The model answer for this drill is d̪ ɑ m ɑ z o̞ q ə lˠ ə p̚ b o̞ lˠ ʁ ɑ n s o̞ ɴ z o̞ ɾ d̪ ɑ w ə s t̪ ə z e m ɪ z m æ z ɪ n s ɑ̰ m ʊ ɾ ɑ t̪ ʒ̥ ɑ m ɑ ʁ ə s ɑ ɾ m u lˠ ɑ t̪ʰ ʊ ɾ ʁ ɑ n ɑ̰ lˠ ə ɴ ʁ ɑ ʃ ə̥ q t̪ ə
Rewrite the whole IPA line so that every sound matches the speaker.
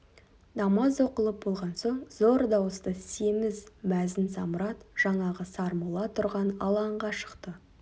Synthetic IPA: d̪ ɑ m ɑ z o̞ q ə lˠ ə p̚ b o̞ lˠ ʁ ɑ n s o̞ ɴ z o̞ ɾ d̪ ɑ w ə s t̪ ə s e m ɪ z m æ z ɪ n s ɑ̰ m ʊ ɾ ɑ t̪ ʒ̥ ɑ ɴ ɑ ʁ ə s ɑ ɾ m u lˠ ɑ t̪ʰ ʊ ɾ ʁ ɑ n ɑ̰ lˠ ɑ ɴ ʁ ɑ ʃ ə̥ q t̪ ə